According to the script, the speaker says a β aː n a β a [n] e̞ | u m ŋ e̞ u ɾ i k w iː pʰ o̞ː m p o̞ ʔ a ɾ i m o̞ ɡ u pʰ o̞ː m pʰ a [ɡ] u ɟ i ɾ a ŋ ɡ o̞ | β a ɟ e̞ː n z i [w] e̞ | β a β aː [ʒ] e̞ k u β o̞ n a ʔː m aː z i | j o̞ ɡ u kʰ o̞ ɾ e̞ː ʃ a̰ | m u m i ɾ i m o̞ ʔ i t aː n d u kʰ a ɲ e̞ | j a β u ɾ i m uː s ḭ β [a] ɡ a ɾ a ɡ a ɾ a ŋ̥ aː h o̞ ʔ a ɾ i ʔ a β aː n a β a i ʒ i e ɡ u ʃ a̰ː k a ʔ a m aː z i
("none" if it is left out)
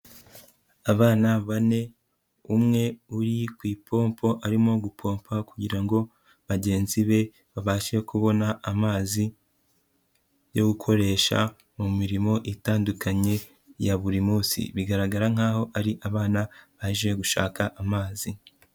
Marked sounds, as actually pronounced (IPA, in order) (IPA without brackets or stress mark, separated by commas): n, k, β, ʃ, i